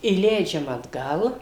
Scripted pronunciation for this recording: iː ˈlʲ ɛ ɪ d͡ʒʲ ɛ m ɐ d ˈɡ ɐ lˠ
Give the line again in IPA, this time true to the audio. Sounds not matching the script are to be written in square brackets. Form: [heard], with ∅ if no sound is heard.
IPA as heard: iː ˈlʲ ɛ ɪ d͡ʒʲ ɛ m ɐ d ˈɡ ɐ lˠ